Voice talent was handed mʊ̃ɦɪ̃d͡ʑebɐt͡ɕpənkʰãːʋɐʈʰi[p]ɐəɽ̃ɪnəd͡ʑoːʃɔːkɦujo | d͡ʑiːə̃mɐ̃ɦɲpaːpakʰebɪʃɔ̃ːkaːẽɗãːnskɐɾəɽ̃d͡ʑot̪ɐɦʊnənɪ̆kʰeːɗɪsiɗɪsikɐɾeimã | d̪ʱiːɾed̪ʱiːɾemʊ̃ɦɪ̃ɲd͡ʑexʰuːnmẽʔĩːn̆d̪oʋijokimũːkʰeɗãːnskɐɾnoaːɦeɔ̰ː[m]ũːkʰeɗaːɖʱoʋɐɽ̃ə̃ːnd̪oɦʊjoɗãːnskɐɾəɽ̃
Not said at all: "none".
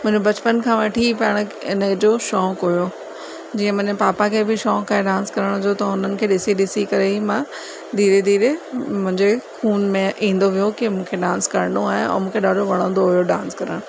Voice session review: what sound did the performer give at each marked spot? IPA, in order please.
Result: p, m

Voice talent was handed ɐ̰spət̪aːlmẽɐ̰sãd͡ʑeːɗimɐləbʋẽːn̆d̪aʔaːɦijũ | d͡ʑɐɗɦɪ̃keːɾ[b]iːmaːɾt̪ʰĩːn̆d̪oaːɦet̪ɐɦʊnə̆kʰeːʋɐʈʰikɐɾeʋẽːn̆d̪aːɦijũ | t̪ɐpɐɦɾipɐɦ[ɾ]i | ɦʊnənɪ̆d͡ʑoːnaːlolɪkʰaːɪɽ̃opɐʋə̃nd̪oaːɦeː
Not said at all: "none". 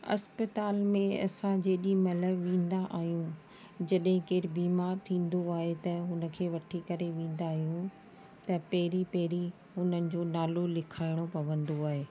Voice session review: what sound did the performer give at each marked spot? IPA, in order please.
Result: b, ɾ

